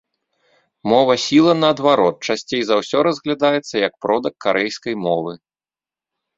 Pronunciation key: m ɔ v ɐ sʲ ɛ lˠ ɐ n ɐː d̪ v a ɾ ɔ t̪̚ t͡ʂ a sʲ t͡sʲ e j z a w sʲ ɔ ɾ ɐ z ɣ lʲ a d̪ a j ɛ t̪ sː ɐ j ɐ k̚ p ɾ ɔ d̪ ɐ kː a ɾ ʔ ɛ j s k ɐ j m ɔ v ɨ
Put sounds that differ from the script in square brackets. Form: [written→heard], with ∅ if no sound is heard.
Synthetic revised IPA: m ɔ v ɐ sʲ [ɛ→i] lˠ ɐ n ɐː d̪ v a ɾ ɔ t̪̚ t͡ʂ a sʲ t͡sʲ e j z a w sʲ ɔ ɾ ɐ z ɣ lʲ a d̪ a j ɛ t̪ sː ɐ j ɐ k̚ p ɾ ɔ d̪ ɐ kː a ɾ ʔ ɛ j s k ɐ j m ɔ v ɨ